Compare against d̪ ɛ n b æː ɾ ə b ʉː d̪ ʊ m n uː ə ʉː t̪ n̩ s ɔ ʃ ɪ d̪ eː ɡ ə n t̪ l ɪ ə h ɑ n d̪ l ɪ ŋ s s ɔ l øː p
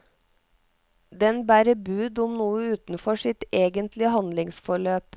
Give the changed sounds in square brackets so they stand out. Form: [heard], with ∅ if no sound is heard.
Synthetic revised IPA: d̪ ɛ n b æː ɾ ə b ʉː d̪ ʊ m n uː ə ʉː t̪ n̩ [f] ɔ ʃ ɪ [t̪] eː ɡ ə n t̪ l ɪ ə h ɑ n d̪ l ɪ ŋ s [f] ɔ [ɭ] øː p